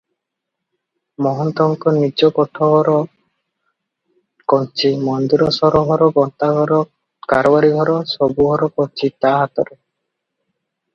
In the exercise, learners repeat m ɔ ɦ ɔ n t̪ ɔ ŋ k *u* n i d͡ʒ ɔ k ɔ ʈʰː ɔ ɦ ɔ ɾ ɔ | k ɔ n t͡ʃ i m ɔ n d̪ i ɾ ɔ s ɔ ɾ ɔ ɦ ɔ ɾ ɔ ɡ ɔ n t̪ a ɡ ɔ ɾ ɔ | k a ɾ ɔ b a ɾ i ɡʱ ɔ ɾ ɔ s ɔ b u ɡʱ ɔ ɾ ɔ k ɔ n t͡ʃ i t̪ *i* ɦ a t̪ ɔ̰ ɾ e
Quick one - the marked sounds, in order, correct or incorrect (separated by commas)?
incorrect, incorrect